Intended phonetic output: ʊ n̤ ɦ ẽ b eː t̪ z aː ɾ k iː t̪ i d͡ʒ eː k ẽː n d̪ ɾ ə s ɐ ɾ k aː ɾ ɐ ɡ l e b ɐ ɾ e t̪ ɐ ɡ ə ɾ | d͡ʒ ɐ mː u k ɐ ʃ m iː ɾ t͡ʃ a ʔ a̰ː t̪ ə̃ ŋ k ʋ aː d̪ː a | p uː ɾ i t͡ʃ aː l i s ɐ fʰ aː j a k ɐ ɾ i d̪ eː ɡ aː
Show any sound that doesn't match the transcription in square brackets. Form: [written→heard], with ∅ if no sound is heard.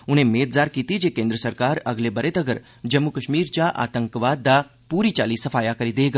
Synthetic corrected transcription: ʊ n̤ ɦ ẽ [b→m] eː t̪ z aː ɾ k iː t̪ i d͡ʒ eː k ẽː n d̪ ɾ ə s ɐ ɾ k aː ɾ ɐ ɡ l e b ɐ ɾ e t̪ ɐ ɡ ə ɾ | d͡ʒ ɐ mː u k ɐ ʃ m iː ɾ t͡ʃ a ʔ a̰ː t̪ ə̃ ŋ k ʋ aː d̪ː a | p uː ɾ i t͡ʃ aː l i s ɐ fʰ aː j a k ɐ ɾ i d̪ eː ɡ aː